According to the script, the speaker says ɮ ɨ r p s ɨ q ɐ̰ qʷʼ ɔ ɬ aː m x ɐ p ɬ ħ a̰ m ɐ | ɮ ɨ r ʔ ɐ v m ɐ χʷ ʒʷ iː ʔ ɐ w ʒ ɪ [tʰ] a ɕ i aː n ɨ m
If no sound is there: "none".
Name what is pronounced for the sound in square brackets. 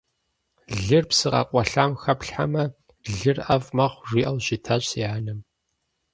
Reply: tʰ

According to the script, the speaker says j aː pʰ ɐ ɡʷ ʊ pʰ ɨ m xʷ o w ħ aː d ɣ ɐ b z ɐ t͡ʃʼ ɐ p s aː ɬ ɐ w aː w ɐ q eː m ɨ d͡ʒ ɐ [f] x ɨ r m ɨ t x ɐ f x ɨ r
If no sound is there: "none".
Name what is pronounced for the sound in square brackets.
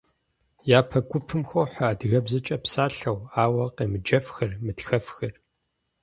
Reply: f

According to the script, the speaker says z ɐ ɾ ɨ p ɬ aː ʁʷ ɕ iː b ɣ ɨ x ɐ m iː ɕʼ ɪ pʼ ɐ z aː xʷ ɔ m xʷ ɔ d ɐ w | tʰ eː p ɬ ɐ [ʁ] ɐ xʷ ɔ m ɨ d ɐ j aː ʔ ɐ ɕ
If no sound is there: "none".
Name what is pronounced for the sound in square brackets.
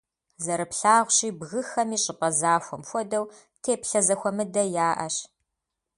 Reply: z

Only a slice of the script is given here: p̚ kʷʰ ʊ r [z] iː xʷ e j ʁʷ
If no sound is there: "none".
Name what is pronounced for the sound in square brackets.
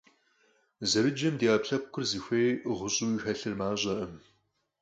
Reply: z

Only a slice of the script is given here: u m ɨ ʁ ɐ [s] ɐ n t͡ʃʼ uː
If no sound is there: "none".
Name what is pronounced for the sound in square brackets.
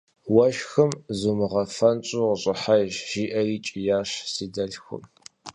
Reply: f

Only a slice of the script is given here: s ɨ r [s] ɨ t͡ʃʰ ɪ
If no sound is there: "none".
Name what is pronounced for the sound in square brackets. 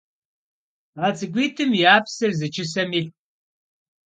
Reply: z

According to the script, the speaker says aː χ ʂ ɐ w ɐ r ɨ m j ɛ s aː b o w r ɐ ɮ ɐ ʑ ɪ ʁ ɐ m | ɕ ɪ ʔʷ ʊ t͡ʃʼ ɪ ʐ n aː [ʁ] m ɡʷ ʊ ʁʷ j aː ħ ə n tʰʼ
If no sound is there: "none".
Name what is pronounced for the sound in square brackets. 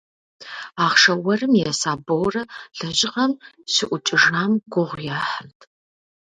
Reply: none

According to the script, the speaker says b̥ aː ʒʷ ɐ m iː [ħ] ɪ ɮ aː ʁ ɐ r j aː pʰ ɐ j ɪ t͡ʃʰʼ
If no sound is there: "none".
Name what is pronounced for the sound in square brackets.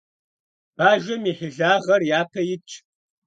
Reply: ħ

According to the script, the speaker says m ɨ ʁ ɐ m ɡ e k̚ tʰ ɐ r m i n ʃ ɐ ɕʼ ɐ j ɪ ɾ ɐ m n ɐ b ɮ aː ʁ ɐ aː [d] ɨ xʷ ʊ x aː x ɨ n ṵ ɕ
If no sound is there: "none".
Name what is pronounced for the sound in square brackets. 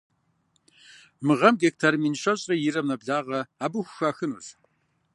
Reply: b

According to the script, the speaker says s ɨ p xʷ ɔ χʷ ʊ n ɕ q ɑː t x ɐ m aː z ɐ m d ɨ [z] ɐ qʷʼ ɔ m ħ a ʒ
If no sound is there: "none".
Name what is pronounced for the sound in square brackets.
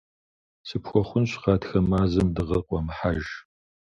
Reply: ʁ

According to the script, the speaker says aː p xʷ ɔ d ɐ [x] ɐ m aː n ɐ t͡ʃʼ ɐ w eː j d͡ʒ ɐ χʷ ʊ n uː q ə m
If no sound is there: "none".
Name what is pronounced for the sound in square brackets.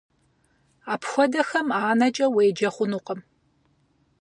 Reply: x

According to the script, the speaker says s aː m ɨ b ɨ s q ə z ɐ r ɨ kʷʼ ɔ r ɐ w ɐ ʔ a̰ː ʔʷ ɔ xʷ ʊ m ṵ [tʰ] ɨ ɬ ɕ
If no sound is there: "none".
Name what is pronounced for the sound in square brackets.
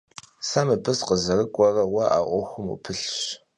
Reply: pʰ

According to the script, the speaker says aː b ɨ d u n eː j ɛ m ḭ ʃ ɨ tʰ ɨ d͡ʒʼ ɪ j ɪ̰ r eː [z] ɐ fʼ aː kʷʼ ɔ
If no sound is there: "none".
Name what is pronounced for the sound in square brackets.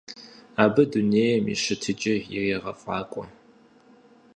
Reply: ʁ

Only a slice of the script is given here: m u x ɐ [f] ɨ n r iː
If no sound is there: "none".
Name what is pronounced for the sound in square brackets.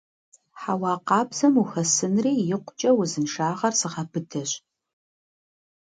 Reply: s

